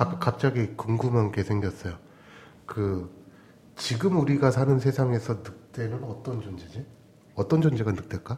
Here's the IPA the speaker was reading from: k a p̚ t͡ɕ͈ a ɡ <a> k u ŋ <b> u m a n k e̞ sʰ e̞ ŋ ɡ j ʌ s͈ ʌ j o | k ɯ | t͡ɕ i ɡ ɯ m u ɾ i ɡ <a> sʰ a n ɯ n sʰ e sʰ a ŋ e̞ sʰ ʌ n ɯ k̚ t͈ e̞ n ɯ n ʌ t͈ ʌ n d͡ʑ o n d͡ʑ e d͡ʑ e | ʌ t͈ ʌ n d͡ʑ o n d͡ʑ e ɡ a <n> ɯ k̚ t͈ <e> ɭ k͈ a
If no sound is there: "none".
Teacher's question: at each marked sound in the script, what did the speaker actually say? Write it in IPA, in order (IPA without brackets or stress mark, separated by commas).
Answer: i, ɡ, a, n, e